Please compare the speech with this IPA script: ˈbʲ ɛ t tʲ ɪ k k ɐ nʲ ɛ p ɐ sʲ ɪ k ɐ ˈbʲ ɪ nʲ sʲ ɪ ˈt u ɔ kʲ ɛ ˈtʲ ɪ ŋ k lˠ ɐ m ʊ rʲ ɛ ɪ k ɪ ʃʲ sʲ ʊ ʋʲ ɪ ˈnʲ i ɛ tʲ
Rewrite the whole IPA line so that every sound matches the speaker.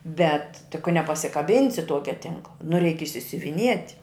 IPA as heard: ˈbʲ ɛ t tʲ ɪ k k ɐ nʲ ɛ p ɐ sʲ ɪ k ɐ ˈbʲ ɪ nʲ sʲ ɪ ˈt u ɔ kʲ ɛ ˈtʲ ɪ ŋ k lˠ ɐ n ʊ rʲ ɛ ɪ k ɪ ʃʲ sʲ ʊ ʋʲ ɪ ˈnʲ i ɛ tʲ